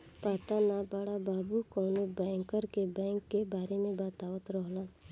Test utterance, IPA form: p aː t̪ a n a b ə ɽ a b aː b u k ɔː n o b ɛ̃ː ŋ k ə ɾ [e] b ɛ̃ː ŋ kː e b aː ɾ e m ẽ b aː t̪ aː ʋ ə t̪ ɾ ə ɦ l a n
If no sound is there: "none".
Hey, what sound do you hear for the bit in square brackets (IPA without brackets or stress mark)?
e